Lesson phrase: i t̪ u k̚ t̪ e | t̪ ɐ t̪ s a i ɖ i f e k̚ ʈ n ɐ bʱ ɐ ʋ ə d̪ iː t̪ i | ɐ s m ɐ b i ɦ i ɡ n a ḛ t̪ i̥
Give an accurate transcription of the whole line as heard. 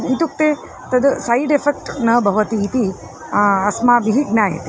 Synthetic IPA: i t̪ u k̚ t̪ e | t̪ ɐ d̪ s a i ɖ e f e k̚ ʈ n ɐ bʱ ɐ ʋ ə t̪ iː t̪ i | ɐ s m a b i ɦ i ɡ n a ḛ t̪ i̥